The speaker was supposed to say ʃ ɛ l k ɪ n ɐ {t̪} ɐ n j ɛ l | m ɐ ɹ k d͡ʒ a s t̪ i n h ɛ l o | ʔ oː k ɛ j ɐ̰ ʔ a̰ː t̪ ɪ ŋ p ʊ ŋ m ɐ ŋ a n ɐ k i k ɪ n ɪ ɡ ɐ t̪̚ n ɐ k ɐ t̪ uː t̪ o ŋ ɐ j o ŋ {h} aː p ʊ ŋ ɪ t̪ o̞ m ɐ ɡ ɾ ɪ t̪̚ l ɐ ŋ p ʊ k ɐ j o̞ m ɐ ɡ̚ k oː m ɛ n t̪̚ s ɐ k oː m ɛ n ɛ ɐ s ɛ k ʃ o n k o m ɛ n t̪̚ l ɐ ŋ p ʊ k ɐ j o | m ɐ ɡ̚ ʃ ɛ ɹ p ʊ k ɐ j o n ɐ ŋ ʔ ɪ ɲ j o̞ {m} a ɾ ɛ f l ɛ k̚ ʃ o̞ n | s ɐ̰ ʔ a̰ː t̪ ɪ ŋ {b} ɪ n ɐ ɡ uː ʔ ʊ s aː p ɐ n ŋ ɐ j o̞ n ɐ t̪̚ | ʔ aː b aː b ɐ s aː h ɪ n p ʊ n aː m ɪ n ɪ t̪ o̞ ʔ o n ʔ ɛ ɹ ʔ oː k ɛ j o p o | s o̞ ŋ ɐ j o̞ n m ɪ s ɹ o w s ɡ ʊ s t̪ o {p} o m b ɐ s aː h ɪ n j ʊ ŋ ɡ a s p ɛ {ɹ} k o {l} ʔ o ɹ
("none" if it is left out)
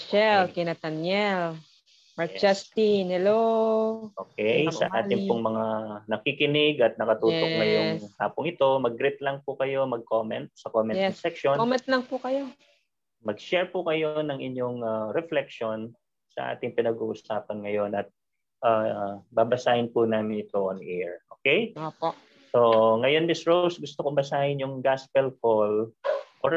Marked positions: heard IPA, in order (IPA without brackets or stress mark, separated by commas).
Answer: t̪, h, ŋ, p, k, l, l